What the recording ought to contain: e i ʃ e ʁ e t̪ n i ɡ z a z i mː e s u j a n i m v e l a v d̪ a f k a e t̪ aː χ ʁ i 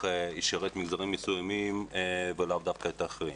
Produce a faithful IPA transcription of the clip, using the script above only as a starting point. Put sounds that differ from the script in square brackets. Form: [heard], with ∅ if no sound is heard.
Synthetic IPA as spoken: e i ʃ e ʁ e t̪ [m] i ɡ z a [ʁ] i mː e s u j a [m] i m v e l a v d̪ a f k a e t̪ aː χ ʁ i